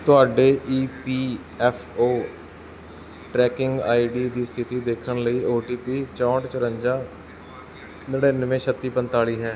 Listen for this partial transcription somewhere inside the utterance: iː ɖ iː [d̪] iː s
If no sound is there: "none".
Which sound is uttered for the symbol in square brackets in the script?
d̪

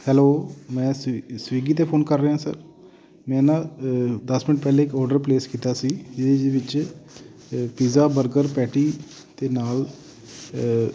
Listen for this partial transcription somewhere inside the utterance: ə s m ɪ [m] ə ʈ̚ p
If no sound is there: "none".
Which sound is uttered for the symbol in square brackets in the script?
n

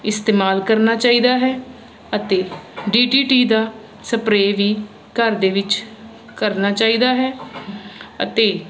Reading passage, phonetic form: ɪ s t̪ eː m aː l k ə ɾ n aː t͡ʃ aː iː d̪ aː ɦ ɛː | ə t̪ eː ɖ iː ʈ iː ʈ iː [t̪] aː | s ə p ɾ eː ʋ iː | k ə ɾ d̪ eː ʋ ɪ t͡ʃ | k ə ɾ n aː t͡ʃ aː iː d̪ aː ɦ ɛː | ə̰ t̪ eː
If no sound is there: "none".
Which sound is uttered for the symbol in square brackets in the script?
d̪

